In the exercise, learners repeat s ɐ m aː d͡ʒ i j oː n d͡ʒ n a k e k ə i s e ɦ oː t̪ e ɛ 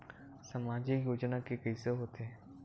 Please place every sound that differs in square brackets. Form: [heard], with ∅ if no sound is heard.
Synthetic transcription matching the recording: s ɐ m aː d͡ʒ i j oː [∅] d͡ʒ n a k e k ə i s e ɦ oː t̪ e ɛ

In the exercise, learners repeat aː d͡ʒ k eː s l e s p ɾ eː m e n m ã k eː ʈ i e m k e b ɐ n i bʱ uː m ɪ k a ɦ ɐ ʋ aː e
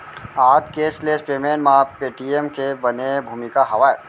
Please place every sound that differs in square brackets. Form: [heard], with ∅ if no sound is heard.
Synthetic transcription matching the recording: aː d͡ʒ k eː s l e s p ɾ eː m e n m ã [p] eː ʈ i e m k e b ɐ n [e] bʱ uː m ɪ k a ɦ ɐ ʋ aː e

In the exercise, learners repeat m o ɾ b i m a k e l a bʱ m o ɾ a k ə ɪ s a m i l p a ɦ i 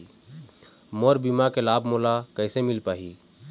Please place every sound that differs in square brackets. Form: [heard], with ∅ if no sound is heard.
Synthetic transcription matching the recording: m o ɾ b i m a k e l a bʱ m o [l] a k ə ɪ s [e] m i l p a ɦ i

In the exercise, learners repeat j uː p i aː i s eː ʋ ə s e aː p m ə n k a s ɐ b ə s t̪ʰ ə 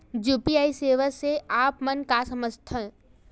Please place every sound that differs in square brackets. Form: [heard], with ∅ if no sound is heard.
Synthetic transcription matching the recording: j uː p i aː i s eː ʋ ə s e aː p m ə n k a s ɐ [m] ə s t̪ʰ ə

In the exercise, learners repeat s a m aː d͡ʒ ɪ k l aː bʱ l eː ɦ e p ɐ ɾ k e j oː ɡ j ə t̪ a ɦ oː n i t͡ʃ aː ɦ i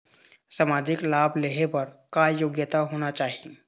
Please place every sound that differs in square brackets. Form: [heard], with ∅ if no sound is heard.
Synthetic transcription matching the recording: s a m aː d͡ʒ ɪ k l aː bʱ l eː ɦ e p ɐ ɾ k [a] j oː ɡ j ə t̪ a ɦ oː n [a] t͡ʃ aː ɦ i

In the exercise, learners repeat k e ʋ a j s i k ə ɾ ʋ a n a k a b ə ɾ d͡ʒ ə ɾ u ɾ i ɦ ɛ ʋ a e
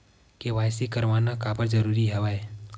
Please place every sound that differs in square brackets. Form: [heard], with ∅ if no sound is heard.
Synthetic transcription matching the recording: k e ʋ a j s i k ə ɾ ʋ a n a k a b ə ɾ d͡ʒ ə ɾ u ɾ i ɦ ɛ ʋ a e

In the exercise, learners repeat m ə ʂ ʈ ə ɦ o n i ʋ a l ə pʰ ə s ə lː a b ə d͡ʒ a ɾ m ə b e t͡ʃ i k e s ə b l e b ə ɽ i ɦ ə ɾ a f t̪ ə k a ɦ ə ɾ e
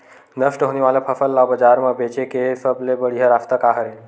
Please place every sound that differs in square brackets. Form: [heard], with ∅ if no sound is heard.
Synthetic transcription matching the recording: [n] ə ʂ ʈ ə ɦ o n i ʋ a l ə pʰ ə [f] ə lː a b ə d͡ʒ a ɾ m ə b e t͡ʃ [e] k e s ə b l e b ə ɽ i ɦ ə ɾ a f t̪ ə k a ɦ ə ɾ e

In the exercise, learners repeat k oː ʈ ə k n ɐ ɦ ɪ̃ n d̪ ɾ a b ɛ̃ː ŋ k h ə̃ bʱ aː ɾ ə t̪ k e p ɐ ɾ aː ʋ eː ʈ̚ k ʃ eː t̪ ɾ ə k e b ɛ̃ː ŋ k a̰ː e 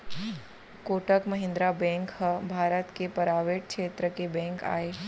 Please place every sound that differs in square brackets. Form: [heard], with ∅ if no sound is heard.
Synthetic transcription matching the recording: k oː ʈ ə k [m] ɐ ɦ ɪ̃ n d̪ ɾ a b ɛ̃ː ŋ k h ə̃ bʱ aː ɾ ə t̪ k e p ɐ ɾ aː ʋ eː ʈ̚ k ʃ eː t̪ ɾ ə k e b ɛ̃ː ŋ k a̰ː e

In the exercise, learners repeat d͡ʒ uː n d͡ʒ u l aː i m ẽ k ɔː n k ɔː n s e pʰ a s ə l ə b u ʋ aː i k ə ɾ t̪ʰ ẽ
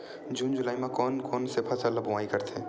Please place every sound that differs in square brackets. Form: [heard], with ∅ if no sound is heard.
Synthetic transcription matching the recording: d͡ʒ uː n d͡ʒ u l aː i m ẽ k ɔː n k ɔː n s e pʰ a s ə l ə b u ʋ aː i k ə ɾ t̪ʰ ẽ

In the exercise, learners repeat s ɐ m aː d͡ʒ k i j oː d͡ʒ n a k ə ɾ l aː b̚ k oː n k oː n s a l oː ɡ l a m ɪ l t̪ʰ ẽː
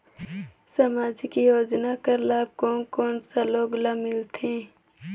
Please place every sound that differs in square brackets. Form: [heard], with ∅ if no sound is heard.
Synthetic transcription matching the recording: s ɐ m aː d͡ʒ k i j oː d͡ʒ n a k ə ɾ l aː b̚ k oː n k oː n s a l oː ɡ l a m ɪ l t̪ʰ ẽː

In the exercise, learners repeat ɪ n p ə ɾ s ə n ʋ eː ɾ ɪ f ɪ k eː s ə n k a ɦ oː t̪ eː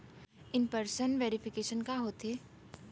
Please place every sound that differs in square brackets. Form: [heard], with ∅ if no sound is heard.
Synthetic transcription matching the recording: ɪ n p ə ɾ s ə n ʋ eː ɾ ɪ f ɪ k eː [ʃ] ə n k a ɦ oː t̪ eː

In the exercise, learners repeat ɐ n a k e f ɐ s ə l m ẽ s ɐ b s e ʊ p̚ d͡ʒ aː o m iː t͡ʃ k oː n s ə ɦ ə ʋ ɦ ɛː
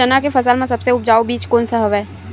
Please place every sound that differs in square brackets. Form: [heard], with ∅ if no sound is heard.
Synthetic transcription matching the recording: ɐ n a k e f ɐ s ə l m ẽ s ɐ b s e ʊ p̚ d͡ʒ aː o [b] iː t͡ʃ k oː n s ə ɦ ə ʋ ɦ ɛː

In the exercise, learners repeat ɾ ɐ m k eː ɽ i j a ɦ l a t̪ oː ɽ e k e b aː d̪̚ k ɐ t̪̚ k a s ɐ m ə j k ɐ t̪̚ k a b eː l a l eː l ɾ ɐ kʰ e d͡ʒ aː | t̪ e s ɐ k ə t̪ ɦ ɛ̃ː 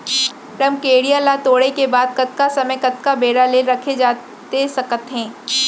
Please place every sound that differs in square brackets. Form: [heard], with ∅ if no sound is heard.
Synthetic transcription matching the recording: ɾ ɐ m k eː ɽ i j a [∅] l a t̪ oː ɽ e k e b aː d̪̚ k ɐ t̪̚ k a s ɐ m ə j k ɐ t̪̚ k a b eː [ɽ] a l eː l ɾ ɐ kʰ e d͡ʒ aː | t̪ e s ɐ k ə t̪ ɦ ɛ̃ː

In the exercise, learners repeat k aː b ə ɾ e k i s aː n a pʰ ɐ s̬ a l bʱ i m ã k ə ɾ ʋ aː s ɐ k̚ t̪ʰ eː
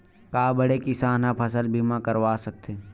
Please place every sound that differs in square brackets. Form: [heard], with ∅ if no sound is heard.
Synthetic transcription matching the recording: k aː b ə [ɽ] e k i s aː n a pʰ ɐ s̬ [ə] l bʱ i m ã k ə ɾ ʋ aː s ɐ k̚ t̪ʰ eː

